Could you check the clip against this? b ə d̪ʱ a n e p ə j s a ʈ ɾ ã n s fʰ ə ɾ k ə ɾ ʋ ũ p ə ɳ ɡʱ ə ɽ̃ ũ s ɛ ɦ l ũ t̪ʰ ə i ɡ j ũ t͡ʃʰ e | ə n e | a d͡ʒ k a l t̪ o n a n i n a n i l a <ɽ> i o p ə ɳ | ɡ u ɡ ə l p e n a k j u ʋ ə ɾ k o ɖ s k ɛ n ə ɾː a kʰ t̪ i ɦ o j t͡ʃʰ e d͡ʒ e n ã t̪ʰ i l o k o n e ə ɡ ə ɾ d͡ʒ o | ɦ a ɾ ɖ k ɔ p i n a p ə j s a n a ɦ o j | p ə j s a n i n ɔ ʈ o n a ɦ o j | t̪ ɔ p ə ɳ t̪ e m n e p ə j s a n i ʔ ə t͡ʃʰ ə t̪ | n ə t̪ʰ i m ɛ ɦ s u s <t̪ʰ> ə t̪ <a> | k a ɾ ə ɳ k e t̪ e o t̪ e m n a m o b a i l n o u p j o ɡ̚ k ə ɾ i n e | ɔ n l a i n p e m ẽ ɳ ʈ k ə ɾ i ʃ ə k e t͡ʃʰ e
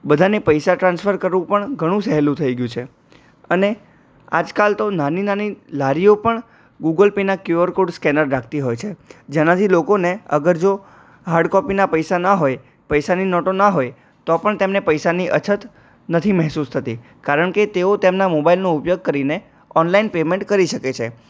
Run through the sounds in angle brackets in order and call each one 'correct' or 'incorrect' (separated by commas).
incorrect, correct, incorrect